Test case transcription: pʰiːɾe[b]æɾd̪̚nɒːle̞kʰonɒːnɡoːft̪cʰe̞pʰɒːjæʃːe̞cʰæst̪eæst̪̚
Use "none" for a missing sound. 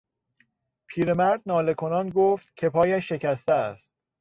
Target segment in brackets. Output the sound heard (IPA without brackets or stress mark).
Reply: m